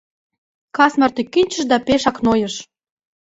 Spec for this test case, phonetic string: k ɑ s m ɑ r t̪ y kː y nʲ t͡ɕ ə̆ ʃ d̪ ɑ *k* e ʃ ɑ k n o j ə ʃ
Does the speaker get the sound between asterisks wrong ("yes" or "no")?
yes